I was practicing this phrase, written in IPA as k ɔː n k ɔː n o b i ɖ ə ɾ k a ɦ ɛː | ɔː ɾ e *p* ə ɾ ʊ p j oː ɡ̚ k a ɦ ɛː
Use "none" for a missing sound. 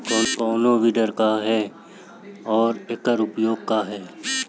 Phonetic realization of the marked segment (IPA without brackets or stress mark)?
k